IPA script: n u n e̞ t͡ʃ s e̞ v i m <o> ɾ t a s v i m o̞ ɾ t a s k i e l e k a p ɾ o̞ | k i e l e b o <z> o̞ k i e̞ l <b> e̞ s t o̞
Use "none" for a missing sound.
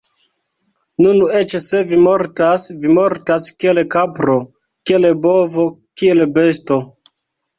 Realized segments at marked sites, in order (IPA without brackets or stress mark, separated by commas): o, v, b